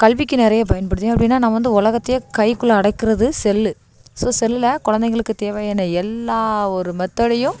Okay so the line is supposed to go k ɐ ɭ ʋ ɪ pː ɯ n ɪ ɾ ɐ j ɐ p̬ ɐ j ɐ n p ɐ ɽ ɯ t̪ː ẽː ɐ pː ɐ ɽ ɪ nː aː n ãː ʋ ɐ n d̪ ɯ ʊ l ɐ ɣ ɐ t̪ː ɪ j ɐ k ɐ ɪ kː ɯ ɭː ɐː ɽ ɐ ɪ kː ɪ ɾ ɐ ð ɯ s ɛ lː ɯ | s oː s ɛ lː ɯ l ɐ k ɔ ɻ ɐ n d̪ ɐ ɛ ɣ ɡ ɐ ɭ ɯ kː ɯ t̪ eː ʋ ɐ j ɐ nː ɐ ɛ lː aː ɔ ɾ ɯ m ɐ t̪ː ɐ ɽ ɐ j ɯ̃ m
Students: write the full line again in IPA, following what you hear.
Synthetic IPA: k ɐ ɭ ʋ ɪ kː ɯ n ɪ ɾ ɐ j ɐ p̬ ɐ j ɐ n p ɐ ɽ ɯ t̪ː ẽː ɐ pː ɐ ɽ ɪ nː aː n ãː ʋ ɐ n d̪ ɯ ʊ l ɐ ɣ ɐ t̪ː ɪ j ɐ k ɐ ɪ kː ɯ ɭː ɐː ɽ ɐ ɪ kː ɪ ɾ ɐ ð ɯ s ɛ lː ɯ | s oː s ɛ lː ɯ l ɐ k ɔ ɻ ɐ n d̪ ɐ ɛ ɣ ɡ ɐ ɭ ɯ kː ɯ t̪ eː ʋ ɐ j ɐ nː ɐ ɛ lː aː ɔ ɾ ɯ m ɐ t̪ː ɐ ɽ ɐ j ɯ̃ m